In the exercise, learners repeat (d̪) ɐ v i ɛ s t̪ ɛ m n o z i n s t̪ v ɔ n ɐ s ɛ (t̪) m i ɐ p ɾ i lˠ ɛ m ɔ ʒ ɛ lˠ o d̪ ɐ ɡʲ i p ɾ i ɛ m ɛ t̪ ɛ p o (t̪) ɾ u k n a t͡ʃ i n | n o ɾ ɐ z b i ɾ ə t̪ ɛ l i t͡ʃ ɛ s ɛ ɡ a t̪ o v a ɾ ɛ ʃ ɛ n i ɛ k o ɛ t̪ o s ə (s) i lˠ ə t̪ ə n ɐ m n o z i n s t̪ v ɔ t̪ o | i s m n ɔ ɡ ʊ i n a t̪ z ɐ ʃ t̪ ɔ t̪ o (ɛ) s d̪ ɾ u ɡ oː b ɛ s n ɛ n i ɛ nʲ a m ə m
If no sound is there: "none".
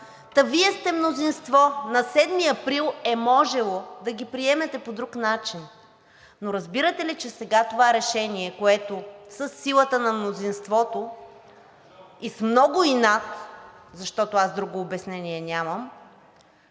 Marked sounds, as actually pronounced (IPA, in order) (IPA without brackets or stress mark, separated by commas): t̪, d̪, d̪, sː, a